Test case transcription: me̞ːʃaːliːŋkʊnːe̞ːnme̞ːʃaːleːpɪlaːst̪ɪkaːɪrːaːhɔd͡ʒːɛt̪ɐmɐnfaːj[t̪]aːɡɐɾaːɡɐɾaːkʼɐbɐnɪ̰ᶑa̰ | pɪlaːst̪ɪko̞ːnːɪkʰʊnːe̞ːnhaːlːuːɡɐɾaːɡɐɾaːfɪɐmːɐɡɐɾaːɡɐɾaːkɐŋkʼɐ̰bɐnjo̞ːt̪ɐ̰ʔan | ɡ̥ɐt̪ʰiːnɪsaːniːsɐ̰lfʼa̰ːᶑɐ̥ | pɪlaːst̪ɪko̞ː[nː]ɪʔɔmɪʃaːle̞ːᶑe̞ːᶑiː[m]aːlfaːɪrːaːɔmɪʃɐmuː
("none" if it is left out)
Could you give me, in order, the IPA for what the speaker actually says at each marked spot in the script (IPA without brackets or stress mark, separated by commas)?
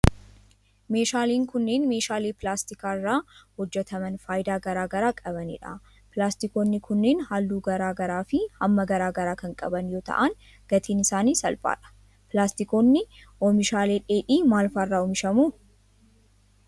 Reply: d̪, nː, m